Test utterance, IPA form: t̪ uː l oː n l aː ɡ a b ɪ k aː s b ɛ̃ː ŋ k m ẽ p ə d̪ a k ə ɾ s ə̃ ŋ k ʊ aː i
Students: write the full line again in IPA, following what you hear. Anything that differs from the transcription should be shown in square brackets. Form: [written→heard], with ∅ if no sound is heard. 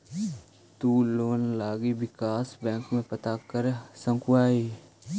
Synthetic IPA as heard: t̪ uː l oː n l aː ɡ [a→i] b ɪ k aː s b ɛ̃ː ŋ k m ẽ p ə [d̪→t̪] a k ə ɾ s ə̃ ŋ k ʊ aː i